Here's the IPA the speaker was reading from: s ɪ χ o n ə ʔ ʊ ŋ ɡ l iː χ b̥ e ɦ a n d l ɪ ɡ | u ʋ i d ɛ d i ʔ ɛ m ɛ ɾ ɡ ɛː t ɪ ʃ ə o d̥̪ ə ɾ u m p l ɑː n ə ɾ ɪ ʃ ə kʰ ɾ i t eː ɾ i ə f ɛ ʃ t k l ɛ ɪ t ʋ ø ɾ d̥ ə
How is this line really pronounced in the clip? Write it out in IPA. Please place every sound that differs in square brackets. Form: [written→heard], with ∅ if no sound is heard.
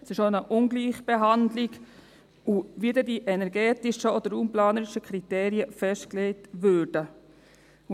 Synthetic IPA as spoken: s ɪ [χ→ʃ] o n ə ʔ ʊ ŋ ɡ l iː χ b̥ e ɦ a n d l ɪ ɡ | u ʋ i d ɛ d i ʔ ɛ [m→n] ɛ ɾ ɡ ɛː t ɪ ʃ ə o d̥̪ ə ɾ u m p l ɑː n ə ɾ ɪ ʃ ə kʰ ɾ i t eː ɾ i ə f ɛ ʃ t k l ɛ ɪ t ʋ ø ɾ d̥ ə